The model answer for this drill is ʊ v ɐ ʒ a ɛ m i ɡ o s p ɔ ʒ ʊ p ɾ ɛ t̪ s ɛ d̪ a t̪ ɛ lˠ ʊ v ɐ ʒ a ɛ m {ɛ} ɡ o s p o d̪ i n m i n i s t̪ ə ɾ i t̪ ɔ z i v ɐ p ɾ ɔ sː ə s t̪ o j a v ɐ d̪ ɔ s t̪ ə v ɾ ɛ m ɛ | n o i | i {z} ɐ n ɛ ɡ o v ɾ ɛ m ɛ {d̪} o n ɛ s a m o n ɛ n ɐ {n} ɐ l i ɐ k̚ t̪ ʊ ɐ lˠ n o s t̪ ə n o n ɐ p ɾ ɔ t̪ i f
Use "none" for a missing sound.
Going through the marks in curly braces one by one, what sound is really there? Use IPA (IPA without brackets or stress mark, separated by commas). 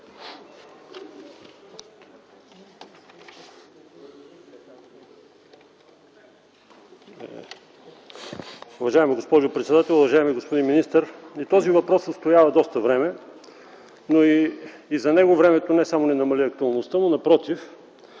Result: i, z, t̪, m